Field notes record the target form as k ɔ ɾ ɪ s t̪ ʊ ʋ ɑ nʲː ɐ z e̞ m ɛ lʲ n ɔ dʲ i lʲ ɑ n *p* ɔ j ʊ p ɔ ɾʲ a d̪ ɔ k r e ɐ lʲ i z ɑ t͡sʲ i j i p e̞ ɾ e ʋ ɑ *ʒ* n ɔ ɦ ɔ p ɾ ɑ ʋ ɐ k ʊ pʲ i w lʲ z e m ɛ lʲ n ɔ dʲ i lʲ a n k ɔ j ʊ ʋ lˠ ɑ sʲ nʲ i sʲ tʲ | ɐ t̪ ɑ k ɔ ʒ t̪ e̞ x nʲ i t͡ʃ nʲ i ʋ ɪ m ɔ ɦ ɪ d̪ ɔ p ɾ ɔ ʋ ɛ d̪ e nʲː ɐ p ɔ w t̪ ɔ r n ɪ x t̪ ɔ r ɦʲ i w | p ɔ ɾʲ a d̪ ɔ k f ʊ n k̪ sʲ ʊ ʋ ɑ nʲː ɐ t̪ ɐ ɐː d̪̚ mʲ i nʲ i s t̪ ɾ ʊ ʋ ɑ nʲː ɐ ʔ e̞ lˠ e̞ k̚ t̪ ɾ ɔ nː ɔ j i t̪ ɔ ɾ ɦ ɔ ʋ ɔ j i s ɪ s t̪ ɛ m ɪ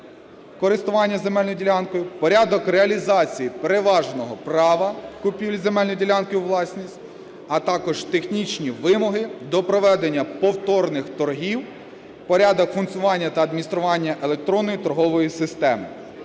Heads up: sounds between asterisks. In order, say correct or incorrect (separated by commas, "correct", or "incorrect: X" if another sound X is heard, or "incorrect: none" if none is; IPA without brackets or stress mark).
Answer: incorrect: k, correct